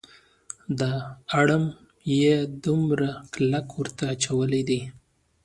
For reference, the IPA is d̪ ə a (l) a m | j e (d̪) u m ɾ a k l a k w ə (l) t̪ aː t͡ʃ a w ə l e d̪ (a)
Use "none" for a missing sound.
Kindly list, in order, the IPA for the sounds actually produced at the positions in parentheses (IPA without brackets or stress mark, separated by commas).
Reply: ɽ, d̪, ɾ, i